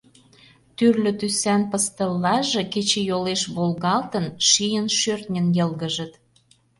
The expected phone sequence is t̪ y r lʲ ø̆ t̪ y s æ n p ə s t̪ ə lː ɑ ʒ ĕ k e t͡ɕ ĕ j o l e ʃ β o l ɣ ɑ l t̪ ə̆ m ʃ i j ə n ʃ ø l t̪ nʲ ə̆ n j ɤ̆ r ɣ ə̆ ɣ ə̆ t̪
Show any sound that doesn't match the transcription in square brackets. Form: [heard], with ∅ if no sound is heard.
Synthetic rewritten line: t̪ y r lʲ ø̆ t̪ y s æ n p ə s t̪ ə lː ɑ ʒ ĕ k e t͡ɕ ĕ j o l e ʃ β o l ɣ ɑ l t̪ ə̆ [n] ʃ i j ə n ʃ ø [r] t̪ nʲ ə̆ n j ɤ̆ [l] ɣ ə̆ [ʒ] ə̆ t̪

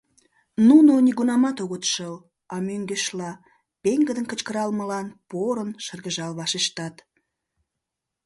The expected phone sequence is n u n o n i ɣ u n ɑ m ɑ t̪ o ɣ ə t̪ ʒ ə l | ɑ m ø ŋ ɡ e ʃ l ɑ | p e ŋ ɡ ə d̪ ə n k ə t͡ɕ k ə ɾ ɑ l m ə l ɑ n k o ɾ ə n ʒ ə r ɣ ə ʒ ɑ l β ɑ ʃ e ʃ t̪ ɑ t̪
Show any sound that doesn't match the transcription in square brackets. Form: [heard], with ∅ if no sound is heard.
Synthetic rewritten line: n u n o n i ɣ u n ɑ m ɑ t̪ o ɣ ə t̪ [ʃ] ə l | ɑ m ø ŋ ɡ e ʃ l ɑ | p e ŋ ɡ ə d̪ ə n k ə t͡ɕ k ə ɾ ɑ l m ə l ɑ n [p] o ɾ ə n [ʃ] ə r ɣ ə ʒ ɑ l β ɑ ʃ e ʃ t̪ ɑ t̪

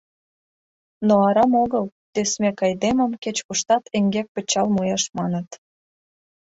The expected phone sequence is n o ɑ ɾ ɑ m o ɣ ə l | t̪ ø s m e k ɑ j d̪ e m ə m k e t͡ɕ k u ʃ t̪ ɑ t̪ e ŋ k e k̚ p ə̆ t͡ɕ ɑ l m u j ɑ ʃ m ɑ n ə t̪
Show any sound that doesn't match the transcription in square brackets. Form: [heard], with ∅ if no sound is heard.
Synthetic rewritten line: n o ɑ ɾ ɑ m o ɣ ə l | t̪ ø s m e k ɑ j d̪ e m ə m k e t͡ɕ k u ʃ t̪ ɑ t̪ e ŋ [ɡ] e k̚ p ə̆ t͡ɕ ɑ l m u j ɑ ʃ m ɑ n ə t̪

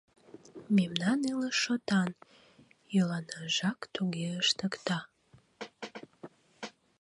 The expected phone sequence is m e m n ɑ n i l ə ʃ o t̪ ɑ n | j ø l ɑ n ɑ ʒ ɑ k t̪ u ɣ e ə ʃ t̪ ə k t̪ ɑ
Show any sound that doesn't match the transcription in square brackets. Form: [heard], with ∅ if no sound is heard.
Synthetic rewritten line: m e m n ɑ n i l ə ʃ o t̪ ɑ n | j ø l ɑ n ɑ ʒ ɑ k t̪ u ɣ e ə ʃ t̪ ə k t̪ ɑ

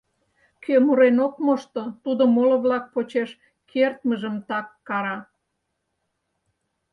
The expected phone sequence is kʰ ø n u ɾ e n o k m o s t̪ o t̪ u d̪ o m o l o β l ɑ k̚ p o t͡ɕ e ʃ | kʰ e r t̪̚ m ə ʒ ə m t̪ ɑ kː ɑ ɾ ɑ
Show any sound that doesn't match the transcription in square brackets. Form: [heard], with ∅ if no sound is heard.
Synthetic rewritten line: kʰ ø [m] u ɾ e n o k m o [ʃ] t̪ o t̪ u d̪ o m o l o β l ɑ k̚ p o t͡ɕ e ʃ | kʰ e r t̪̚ m ə ʒ ə m t̪ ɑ kː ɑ ɾ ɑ

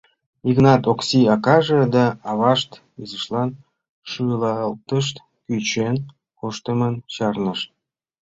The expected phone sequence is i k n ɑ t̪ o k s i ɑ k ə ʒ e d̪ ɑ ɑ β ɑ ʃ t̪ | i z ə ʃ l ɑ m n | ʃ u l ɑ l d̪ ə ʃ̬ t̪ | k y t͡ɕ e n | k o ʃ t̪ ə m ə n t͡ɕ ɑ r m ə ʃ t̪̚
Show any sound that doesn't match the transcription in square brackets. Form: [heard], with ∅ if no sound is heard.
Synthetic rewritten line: i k n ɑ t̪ o k s i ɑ k [ɑ] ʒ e d̪ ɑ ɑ β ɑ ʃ t̪ | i z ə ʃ l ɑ [∅] n | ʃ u l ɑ l [t̪] ə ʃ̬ t̪ | k y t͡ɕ e n | k o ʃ t̪ ə m ə n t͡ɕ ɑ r [n] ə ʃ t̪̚

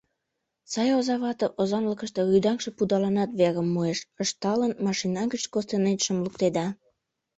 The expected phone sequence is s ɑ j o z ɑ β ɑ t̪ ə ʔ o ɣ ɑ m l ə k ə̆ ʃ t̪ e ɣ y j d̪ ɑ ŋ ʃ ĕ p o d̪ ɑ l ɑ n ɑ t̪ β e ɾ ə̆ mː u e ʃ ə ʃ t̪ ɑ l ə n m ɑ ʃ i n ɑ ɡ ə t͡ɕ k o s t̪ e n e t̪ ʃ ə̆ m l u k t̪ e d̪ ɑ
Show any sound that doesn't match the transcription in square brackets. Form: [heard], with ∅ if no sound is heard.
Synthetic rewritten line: s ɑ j o z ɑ β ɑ t̪ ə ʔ o [z] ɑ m l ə k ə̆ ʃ t̪ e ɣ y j d̪ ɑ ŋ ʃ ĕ p [u] d̪ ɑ l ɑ n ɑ t̪ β e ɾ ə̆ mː u e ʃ ə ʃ t̪ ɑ l ə n m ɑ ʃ i n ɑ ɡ ə t͡ɕ k o s t̪ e n e t̪ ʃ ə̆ m l u k t̪ e d̪ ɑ

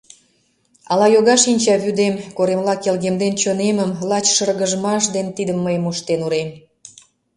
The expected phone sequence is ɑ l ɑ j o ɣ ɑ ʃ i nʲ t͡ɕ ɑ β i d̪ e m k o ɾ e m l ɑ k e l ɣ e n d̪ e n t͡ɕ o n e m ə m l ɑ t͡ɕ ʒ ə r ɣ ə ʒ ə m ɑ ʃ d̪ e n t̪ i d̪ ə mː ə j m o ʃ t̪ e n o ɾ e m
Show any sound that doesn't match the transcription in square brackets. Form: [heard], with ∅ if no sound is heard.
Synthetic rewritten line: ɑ l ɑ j o ɣ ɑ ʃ i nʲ t͡ɕ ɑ β [y] d̪ e m k o ɾ e m l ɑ k e l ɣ e [m] d̪ e n t͡ɕ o n e m ə m l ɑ t͡ɕ [ʃ] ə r ɣ ə ʒ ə m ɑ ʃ d̪ e n t̪ i d̪ ə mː ə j m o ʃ t̪ e n [u] ɾ e m

